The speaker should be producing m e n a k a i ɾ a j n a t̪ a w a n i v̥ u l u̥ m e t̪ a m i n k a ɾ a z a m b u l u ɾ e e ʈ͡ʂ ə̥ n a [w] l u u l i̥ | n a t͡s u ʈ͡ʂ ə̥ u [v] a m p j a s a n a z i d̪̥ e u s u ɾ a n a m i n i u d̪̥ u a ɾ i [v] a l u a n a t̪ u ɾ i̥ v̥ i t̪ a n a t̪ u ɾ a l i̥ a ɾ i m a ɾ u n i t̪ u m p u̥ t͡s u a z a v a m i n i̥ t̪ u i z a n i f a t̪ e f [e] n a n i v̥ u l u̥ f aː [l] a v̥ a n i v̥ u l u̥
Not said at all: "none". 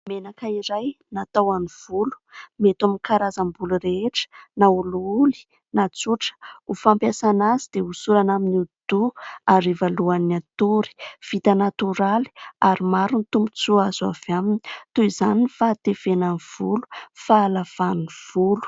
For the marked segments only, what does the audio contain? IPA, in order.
u, f, v, e, l

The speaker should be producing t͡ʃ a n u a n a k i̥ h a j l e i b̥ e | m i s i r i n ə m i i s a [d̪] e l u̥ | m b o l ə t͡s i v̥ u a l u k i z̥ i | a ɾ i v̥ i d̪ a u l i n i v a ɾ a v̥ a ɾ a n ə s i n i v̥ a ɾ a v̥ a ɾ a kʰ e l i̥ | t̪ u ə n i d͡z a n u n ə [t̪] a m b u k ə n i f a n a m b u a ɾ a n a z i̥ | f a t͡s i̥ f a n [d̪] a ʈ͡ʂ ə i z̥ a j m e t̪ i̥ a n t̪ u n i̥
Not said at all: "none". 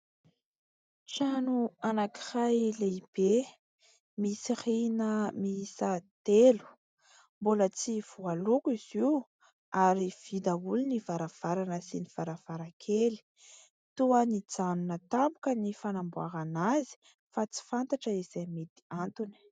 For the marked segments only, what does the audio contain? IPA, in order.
t̪, t̪, t̪

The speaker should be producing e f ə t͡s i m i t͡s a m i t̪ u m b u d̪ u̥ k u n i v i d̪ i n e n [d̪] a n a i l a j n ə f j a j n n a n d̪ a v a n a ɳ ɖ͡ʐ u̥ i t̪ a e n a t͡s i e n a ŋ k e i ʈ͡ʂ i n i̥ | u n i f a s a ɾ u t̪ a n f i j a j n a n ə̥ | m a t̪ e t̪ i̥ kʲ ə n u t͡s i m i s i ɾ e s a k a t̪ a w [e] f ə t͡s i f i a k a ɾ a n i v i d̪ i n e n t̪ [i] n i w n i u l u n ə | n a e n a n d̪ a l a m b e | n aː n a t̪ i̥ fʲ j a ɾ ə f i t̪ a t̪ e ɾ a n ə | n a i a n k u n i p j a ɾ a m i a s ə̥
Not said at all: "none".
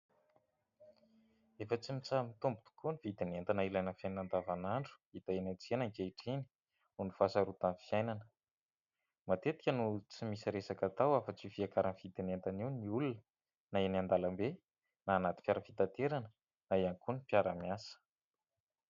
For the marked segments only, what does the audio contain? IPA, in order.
t̪, a, a

